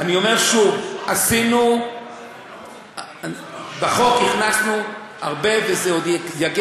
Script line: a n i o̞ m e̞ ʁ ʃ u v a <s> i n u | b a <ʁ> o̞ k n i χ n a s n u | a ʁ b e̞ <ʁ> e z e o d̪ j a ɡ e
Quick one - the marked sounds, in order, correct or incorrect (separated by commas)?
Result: correct, incorrect, incorrect